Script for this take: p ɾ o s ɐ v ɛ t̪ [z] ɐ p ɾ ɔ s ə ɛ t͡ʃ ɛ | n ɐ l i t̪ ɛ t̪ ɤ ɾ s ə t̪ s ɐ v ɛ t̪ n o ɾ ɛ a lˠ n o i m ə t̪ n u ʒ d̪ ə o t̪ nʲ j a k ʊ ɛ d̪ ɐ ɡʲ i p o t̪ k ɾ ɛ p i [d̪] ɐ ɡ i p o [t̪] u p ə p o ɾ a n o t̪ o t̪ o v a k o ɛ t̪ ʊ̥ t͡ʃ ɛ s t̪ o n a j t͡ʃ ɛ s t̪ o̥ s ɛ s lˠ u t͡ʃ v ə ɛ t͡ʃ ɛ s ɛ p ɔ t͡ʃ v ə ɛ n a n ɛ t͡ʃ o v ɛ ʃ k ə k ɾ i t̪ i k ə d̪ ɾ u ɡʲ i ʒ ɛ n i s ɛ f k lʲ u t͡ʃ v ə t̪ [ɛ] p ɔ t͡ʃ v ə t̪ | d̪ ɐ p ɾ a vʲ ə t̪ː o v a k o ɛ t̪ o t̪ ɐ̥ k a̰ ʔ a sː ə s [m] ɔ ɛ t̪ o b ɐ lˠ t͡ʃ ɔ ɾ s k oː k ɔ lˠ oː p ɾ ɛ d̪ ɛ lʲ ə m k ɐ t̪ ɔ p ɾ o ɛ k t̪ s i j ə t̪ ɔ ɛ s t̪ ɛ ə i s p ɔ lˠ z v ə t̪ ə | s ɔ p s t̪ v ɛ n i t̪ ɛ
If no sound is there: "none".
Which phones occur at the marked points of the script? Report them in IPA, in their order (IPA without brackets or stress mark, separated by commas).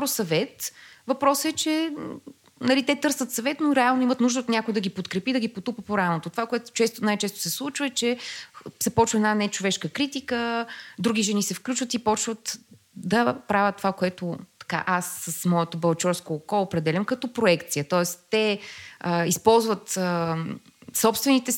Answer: v, d̪, t̪, i, m